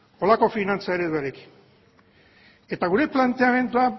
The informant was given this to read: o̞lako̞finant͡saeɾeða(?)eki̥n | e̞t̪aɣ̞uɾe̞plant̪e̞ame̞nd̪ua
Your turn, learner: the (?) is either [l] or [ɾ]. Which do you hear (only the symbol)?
ɾ